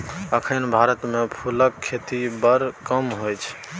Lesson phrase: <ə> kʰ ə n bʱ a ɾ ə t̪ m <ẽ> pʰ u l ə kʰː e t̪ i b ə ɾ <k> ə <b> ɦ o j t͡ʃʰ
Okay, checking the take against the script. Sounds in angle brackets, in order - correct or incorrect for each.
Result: correct, incorrect, correct, incorrect

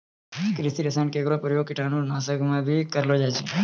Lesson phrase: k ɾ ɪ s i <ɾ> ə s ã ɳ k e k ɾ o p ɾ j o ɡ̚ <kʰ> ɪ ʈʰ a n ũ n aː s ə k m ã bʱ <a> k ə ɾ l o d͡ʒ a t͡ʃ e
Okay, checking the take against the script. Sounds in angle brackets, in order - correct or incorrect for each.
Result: correct, incorrect, incorrect

